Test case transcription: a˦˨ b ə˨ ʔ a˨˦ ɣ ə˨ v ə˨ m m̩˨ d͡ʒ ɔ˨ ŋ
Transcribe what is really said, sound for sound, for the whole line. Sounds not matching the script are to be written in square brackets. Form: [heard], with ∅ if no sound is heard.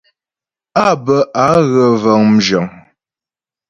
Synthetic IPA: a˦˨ b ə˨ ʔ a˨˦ ɣ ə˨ v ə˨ [ŋ] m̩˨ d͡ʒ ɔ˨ ŋ